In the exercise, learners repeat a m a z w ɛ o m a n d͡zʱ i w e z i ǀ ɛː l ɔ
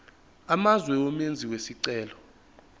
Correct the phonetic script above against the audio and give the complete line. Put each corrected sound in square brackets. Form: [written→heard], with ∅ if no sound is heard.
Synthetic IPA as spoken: a m a z w ɛ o m [a→e] n d͡zʱ i w e [z→s] i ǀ ɛː l ɔ